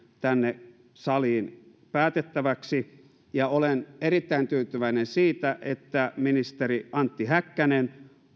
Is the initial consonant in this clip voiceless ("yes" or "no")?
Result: yes